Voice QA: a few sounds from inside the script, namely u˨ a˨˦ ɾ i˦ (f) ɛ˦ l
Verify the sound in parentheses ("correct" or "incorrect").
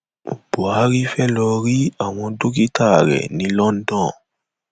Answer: correct